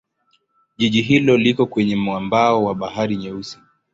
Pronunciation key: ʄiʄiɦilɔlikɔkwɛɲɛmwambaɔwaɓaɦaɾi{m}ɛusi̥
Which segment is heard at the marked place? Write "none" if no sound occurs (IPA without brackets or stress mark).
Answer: ɲ